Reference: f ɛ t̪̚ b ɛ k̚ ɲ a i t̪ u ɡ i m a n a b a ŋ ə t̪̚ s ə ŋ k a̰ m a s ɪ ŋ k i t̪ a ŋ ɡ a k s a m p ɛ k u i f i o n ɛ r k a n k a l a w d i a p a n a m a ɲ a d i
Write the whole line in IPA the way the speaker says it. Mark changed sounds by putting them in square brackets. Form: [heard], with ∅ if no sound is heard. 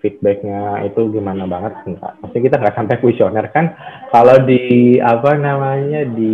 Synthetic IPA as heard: f [i] t̪̚ b ɛ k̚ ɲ a i t̪ u ɡ i m a n a b a ŋ ə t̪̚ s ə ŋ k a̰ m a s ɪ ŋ k i t̪ a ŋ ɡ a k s a m p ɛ k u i [s] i o n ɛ r k a n k a l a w d i a p a n a m a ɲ a d i